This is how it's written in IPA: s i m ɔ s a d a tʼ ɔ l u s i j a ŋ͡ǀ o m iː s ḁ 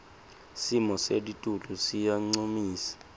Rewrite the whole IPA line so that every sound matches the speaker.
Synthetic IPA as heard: s i m ɔ s e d i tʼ u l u s i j a ŋ͡ǀ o m iː s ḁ